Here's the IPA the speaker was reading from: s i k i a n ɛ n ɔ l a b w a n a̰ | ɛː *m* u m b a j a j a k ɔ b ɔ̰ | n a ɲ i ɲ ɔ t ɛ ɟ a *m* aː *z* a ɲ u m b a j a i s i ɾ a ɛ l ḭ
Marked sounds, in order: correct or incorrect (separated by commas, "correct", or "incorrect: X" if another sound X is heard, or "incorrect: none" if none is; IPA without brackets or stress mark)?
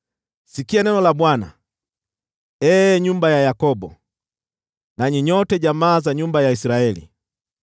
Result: incorrect: ɲ, correct, correct